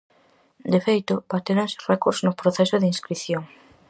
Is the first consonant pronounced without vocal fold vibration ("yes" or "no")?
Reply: no